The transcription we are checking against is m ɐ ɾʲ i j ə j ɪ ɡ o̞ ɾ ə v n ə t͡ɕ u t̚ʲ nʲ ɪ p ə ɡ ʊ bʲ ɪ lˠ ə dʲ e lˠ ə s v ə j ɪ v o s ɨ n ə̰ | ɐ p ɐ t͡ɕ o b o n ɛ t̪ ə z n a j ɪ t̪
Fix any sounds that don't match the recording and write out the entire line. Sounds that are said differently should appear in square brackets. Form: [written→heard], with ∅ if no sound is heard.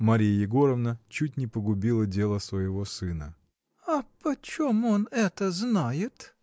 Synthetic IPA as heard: m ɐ ɾʲ i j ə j ɪ ɡ o̞ ɾ ə v n ə t͡ɕ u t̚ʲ nʲ ɪ p ə ɡ ʊ bʲ [ɪ→i] lˠ ə dʲ e lˠ ə s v ə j ɪ v o s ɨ n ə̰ | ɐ p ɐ t͡ɕ o [b→m] o n ɛ t̪ ə z n a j ɪ t̪

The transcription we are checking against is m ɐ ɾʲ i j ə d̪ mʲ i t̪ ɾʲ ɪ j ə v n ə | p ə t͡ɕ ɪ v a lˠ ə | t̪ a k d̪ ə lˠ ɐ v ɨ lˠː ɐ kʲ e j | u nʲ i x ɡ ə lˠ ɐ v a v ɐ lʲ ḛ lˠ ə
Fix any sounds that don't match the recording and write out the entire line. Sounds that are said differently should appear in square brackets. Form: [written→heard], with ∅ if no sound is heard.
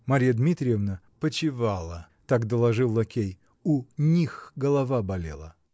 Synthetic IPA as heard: m ɐ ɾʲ i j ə d̪ mʲ i t̪ ɾʲ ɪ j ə v n ə | p ə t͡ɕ ɪ v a lˠ ə | t̪ a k d̪ ə lˠ ɐ [v→ʐ] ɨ lˠː ɐ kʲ e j | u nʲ i x ɡ ə lˠ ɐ v a [v→b] ɐ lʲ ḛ lˠ ə

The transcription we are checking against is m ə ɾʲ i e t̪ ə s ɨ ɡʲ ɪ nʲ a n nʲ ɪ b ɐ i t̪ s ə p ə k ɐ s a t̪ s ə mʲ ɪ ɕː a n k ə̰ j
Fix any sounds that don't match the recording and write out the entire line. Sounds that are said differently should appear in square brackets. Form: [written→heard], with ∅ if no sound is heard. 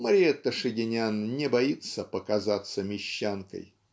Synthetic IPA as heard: m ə ɾʲ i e t̪ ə [s→ʂ] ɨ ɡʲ ɪ nʲ a n nʲ ɪ b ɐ i t̪ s ə p ə k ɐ [s→z] a t̪ s ə mʲ ɪ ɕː a n k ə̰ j

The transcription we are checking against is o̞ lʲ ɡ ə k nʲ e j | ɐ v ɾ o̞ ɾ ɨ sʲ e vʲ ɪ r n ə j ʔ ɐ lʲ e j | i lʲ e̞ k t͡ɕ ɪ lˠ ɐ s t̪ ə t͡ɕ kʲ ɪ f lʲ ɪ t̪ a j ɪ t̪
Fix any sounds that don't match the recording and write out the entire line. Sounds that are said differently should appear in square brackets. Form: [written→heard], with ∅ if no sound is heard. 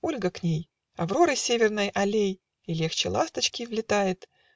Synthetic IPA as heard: o̞ lʲ ɡ ə k nʲ e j | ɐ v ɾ o̞ ɾ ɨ sʲ e vʲ ɪ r n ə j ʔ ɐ lʲ e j | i lʲ e̞ [k→x] t͡ɕ ɪ lˠ [ɐ→a] s t̪ ə t͡ɕ kʲ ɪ [f→v] lʲ ɪ t̪ a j ɪ t̪

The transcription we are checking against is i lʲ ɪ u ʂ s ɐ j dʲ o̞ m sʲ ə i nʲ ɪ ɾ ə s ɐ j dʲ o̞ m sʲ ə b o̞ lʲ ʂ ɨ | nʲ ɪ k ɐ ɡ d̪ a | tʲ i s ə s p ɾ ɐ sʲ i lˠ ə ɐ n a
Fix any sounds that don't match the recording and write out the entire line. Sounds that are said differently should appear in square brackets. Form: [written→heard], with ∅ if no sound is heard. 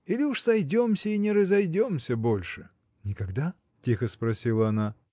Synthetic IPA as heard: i lʲ ɪ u ʂ s ɐ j dʲ o̞ m sʲ ə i nʲ ɪ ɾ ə [s→z] ɐ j dʲ o̞ m sʲ ə b o̞ lʲ ʂ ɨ | nʲ ɪ k ɐ ɡ d̪ a | tʲ i [s→x] ə s p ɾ ɐ sʲ i lˠ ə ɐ n a

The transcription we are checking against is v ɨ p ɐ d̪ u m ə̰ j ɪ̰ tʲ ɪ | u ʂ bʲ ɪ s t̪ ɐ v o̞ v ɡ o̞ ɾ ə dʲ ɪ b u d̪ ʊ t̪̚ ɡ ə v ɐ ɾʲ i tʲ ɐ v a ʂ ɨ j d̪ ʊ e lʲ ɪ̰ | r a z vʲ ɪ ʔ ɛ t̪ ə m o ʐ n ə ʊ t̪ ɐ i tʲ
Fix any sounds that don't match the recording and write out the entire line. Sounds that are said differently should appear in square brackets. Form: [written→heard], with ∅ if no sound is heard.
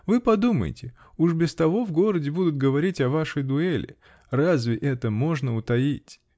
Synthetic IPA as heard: v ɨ p ɐ d̪ u m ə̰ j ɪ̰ tʲ ɪ | u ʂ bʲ ɪ s t̪ ɐ v o̞ v ɡ o̞ ɾ ə dʲ ɪ b u d̪ ʊ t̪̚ ɡ ə v ɐ ɾʲ i tʲ ɐ v a ʂ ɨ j d̪ ʊ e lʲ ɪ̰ | r a z vʲ ɪ ʔ ɛ t̪ ə m o ʐ n ə ʊ t̪ ɐ i tʲ

